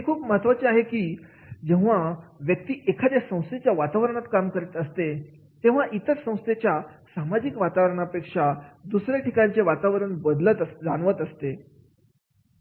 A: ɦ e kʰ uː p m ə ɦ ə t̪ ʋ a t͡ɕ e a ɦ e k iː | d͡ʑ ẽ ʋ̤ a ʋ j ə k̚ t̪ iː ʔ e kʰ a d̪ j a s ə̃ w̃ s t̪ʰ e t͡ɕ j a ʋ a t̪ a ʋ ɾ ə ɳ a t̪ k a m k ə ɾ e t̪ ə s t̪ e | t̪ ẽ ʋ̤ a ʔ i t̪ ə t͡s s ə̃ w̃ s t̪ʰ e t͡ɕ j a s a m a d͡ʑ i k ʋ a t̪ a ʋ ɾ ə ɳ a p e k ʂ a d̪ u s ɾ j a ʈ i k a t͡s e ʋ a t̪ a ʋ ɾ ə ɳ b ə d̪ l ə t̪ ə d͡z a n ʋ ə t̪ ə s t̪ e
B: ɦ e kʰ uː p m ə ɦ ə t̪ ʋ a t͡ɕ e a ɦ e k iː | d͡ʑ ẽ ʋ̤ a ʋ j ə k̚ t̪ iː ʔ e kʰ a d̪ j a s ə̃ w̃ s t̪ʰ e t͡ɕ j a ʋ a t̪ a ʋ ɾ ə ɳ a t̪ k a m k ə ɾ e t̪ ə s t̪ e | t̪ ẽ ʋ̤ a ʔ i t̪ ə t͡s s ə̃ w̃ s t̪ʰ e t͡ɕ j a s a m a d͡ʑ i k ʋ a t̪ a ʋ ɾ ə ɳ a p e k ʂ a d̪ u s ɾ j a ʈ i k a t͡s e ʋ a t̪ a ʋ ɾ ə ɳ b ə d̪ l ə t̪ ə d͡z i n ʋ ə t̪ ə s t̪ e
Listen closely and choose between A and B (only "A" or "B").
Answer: A